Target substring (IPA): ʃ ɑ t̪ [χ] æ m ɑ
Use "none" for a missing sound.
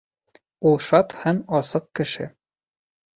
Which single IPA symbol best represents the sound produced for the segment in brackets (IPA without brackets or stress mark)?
h